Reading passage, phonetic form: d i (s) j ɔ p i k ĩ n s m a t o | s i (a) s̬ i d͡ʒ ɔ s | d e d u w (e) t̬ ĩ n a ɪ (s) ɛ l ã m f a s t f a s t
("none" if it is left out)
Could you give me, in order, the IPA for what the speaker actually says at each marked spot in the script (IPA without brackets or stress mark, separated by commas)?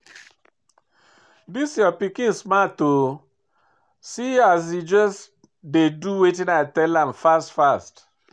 s, a, e, t